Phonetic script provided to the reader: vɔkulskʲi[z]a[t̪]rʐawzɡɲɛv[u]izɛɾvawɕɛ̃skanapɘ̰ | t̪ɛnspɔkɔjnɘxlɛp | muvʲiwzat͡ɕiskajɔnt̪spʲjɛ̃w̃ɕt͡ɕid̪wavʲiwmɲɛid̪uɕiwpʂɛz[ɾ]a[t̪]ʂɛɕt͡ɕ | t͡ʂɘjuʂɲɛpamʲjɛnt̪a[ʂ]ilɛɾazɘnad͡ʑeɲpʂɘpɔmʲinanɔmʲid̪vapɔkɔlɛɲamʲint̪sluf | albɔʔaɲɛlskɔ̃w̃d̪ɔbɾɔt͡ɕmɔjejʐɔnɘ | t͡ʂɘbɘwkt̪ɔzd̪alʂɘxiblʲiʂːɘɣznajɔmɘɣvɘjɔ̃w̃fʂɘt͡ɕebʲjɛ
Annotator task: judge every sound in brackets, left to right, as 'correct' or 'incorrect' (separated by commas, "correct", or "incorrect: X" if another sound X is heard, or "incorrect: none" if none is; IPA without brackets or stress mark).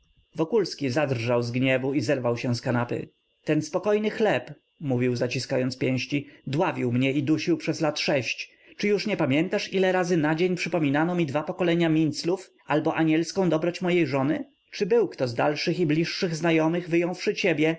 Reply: correct, incorrect: d̪, correct, incorrect: l, correct, correct